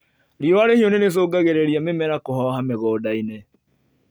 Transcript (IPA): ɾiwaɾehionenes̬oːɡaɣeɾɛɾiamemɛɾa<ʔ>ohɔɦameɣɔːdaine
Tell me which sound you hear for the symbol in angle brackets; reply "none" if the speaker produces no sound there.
k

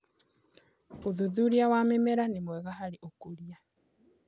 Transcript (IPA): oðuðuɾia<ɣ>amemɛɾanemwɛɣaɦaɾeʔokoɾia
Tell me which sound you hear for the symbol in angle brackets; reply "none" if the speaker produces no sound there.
w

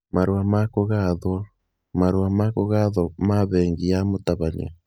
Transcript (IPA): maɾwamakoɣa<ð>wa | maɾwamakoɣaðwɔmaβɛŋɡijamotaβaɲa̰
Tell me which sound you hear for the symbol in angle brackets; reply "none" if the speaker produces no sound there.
ð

